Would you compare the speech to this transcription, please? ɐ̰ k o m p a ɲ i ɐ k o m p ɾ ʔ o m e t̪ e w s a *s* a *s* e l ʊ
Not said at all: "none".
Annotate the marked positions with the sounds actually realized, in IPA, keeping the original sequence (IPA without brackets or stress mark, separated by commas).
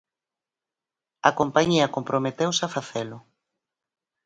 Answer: f, θ